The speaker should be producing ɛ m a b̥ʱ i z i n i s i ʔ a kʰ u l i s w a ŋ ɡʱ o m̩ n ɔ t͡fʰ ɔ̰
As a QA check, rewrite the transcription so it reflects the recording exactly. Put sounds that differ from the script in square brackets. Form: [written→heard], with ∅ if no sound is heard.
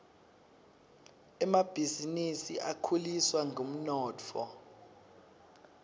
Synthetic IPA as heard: ɛ m a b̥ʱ i z i n i s i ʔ a kʰ u l i s w a ŋ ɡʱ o m̩ n [ɔ→ɔː] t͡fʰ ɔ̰